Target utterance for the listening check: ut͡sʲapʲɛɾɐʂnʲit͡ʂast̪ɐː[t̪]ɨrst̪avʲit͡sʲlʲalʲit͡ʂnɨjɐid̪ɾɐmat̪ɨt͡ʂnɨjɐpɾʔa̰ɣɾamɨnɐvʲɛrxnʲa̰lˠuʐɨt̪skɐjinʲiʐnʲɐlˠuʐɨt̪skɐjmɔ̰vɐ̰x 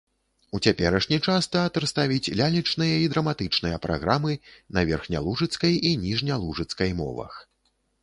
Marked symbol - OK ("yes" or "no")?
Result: yes